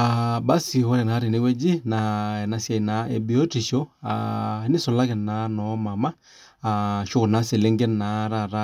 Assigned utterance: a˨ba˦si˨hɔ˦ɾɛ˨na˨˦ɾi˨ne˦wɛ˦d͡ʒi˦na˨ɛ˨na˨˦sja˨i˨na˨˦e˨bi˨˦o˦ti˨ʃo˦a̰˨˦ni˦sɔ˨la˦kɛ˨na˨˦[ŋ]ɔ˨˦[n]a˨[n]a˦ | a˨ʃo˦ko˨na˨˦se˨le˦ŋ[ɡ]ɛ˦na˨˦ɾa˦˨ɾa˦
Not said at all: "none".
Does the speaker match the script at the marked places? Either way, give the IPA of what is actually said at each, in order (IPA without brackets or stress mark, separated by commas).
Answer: n, m, m, ɡ